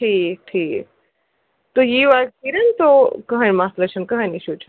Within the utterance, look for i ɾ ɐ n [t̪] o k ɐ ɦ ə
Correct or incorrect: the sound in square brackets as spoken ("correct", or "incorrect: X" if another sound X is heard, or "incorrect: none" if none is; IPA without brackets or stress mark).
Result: correct